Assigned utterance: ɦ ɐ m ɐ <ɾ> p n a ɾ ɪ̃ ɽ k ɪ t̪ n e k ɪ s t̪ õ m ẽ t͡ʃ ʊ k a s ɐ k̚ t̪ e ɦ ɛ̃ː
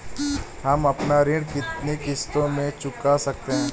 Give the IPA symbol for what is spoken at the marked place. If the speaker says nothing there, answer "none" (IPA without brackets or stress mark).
none